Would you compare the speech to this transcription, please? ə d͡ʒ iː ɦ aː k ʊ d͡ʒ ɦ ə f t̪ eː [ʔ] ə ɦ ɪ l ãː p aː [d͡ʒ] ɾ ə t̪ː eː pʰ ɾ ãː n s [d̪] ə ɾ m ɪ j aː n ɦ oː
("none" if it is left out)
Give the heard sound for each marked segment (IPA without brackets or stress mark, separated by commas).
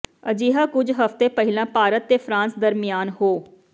p, none, d̪